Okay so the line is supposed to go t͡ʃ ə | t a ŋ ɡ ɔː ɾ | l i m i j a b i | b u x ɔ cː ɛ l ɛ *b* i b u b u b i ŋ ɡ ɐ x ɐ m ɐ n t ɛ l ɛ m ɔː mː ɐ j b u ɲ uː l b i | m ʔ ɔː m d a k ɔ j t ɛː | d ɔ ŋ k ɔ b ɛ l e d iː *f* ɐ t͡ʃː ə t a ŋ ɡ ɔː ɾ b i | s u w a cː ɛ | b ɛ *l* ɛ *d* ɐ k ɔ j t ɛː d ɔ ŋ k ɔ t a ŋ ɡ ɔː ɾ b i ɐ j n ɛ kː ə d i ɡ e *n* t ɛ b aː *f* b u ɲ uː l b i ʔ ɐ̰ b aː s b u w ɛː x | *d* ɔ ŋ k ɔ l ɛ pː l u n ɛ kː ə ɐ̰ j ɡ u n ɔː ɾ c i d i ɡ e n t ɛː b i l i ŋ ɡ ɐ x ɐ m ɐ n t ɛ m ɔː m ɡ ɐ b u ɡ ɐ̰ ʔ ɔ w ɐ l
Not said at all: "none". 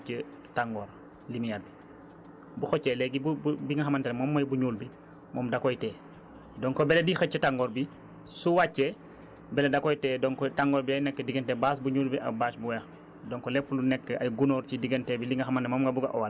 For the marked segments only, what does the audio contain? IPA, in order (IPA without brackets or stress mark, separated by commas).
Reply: ɡ, x, l, d, n, s, d